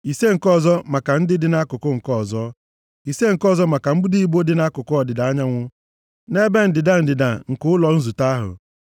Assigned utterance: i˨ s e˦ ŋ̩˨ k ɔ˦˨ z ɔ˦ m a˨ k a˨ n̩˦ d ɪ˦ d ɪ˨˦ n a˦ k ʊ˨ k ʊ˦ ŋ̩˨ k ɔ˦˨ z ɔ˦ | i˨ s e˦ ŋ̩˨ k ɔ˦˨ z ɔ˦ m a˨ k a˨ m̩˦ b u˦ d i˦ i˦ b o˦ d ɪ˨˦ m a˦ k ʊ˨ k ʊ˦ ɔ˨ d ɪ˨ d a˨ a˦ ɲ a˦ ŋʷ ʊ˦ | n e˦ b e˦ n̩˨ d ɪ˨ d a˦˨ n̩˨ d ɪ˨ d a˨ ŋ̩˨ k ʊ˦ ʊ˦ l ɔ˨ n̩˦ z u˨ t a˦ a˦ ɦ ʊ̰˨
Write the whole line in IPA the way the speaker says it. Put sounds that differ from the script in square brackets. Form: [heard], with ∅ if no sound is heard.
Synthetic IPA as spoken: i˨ s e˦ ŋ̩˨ k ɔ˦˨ z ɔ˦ m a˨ k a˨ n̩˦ d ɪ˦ d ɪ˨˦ n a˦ k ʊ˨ k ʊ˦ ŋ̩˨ k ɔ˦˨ z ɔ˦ | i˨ s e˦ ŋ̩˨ k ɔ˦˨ z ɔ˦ m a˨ k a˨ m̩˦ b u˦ d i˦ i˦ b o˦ d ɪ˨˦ [n] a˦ k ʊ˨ k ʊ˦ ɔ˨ d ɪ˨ d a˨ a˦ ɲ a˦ ŋʷ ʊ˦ | n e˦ b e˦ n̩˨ d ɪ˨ d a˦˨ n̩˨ d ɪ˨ d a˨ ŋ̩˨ k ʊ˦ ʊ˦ l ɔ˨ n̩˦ z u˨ t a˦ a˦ ɦ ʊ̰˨